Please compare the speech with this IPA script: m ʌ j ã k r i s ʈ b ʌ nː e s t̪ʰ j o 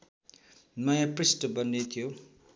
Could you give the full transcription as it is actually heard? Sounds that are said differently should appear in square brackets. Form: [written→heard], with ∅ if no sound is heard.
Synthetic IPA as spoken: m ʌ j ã [k→p] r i s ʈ b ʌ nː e [s→∅] t̪ʰ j o